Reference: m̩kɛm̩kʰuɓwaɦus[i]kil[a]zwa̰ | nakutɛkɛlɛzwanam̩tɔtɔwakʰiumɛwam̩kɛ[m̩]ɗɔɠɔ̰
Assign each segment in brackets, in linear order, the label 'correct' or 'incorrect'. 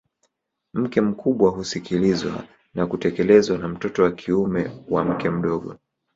correct, incorrect, correct

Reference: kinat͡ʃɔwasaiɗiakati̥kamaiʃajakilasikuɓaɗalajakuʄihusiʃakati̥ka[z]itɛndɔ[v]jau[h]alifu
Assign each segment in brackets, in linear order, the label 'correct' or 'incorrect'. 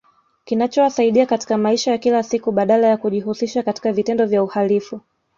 incorrect, correct, correct

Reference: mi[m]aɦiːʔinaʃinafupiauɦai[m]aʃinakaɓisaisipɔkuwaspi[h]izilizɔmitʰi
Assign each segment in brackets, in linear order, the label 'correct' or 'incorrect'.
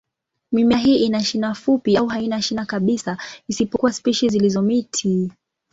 correct, incorrect, incorrect

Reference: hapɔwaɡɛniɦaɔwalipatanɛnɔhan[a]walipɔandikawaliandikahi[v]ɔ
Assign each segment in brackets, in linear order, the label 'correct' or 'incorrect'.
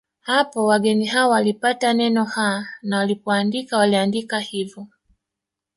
correct, correct

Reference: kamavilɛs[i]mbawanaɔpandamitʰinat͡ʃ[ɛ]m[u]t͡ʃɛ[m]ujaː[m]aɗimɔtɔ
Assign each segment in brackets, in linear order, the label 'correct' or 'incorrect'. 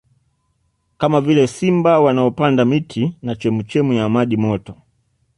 correct, correct, correct, correct, correct

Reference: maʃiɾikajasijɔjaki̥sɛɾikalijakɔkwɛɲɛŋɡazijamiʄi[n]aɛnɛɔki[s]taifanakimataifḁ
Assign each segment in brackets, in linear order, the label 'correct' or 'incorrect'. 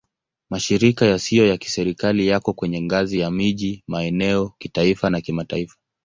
incorrect, incorrect

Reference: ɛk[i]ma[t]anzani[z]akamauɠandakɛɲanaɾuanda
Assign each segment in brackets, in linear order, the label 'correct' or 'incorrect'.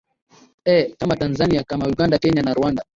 incorrect, correct, incorrect

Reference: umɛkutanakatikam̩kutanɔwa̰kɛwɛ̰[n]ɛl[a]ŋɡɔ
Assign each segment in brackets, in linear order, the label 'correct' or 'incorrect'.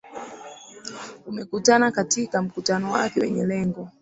incorrect, incorrect

